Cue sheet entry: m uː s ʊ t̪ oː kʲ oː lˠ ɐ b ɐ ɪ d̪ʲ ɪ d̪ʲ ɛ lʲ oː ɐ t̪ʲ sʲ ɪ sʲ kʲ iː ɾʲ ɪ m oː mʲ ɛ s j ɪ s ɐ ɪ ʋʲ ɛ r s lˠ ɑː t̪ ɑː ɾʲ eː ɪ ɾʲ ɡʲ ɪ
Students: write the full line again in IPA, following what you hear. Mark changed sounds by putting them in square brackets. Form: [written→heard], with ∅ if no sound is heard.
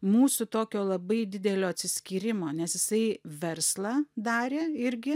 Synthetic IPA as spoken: m uː s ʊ t̪ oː kʲ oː lˠ ɐ b ɐ ɪ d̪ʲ ɪ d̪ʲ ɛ lʲ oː ɐ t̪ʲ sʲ ɪ sʲ kʲ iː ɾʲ ɪ m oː [mʲ→nʲ] ɛ s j ɪ s ɐ ɪ ʋʲ ɛ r s lˠ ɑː [t̪→d̪] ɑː ɾʲ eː ɪ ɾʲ ɡʲ ɪ